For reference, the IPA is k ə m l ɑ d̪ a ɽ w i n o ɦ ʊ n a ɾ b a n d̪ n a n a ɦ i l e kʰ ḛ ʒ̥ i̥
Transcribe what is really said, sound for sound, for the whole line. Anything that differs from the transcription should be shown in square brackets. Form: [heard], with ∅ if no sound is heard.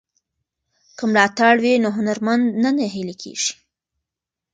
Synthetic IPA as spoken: k ə m l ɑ [t̪] a ɽ w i n o ɦ ʊ n a ɾ [m] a n d̪ n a n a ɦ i l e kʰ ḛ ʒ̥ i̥